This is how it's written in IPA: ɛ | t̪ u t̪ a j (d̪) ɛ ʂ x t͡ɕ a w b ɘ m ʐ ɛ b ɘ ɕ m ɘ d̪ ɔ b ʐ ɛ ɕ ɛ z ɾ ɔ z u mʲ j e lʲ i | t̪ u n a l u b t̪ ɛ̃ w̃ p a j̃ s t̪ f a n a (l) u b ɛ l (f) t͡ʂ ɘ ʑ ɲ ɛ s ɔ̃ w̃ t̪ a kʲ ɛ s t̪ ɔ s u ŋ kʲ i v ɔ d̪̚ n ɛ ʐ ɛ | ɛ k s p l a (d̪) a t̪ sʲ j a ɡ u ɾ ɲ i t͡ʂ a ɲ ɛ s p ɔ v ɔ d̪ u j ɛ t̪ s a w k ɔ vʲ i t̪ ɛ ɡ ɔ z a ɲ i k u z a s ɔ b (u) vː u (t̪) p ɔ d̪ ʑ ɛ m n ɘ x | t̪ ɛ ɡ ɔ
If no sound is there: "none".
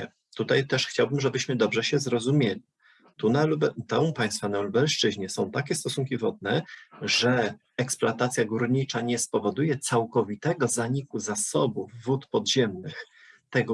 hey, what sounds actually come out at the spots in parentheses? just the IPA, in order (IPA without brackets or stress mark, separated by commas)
t̪, l, ʂ, t̪, u, t̪